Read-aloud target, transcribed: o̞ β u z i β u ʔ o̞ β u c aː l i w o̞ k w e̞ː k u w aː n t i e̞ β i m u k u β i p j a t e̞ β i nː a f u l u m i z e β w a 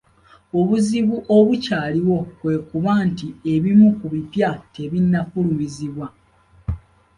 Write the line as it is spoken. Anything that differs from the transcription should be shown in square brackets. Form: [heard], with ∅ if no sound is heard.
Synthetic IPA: o̞ β u z i β u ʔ o̞ β u c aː l i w o̞ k w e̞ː k u [β] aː n t i e̞ β i m u k u β i p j a t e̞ β i nː a f u l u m i z [i] β w a